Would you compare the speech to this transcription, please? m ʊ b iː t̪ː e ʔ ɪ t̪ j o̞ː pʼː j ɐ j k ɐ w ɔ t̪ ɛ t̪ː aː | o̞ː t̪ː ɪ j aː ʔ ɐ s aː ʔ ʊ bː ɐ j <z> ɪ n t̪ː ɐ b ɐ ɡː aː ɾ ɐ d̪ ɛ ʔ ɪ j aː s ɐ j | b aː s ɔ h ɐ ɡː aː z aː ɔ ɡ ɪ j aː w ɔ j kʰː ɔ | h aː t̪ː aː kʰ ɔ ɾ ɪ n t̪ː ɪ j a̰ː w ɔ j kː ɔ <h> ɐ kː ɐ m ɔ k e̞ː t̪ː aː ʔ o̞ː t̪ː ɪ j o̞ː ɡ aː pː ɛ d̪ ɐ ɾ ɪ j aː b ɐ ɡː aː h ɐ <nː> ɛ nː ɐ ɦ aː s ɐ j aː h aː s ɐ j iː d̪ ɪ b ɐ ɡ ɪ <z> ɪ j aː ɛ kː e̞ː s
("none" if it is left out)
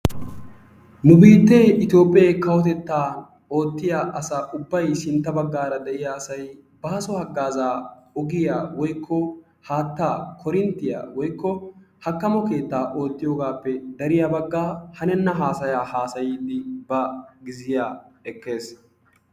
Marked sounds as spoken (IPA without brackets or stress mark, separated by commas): s, h, n, z